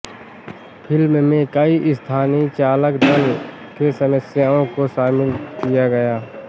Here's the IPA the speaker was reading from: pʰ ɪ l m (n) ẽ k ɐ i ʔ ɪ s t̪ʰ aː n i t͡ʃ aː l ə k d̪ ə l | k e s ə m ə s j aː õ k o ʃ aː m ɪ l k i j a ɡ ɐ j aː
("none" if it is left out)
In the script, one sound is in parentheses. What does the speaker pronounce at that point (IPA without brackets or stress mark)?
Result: m